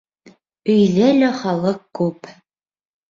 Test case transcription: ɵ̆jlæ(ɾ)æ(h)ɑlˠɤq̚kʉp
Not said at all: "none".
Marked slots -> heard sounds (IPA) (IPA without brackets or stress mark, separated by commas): l, χ